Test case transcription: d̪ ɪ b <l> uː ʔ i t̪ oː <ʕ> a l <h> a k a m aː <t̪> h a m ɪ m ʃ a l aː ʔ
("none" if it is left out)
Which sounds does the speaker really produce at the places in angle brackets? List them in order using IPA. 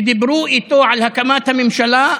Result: ɾ, ʕ, h, t̪

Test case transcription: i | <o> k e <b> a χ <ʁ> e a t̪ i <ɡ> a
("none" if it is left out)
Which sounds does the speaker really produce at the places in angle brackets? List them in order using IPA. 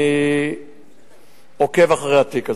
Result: o, v, ʁ, k

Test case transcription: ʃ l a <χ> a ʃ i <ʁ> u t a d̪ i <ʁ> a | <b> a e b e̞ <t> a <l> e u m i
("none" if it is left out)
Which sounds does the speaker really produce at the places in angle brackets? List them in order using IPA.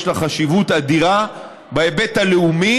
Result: χ, v, ʁ, b, t, l

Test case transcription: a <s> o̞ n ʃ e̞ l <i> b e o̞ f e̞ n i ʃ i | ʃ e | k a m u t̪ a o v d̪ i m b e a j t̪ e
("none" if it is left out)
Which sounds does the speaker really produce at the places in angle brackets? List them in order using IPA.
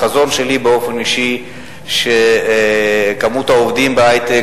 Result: z, i

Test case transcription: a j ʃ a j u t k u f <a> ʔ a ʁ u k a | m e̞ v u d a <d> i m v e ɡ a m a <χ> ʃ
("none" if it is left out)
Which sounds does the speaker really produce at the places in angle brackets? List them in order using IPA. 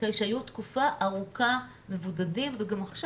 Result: a, d, χ

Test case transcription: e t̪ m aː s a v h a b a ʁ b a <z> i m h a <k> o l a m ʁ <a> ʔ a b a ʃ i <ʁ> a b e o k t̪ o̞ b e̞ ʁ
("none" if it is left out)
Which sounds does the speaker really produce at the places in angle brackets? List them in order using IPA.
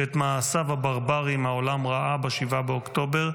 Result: ʁ, none, a, v

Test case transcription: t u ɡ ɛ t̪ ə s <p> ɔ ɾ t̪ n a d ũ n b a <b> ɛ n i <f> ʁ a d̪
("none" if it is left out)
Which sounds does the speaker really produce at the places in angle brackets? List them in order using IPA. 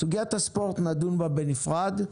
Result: p, b, f

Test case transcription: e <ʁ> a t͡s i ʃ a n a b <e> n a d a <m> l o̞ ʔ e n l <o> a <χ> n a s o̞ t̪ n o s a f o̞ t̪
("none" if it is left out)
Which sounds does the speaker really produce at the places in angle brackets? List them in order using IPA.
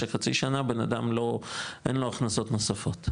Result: χ, e, m, o, χ

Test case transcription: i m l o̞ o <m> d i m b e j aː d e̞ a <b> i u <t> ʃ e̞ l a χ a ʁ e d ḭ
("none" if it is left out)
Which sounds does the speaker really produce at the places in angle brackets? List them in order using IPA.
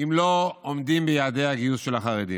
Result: m, ɡ, s

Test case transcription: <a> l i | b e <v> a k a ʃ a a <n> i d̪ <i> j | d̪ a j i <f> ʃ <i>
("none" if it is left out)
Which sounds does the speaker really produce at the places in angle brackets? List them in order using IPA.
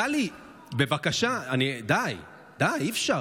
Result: a, v, n, a, f, a

